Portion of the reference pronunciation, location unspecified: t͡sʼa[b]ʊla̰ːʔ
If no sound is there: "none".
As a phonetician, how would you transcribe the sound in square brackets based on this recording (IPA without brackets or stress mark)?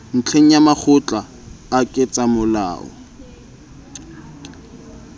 m